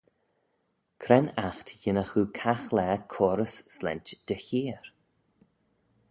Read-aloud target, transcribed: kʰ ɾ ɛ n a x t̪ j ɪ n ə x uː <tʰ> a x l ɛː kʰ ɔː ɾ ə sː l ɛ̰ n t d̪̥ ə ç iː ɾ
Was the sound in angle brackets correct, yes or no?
no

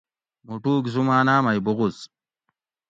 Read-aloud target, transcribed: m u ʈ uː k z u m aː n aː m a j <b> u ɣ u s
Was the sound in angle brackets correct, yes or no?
yes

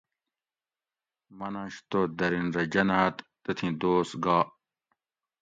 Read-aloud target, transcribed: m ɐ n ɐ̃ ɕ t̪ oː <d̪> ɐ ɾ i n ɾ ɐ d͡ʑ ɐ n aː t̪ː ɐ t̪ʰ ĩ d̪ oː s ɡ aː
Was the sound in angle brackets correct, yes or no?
yes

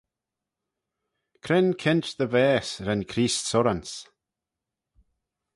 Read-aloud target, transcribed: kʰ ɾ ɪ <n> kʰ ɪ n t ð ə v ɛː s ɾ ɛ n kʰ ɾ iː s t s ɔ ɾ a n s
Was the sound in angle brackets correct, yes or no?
yes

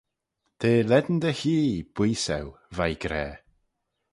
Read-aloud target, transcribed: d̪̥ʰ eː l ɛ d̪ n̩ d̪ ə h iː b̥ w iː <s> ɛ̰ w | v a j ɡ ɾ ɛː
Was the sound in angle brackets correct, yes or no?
yes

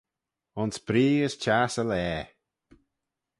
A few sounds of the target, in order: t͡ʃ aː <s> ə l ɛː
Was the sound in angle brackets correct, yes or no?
yes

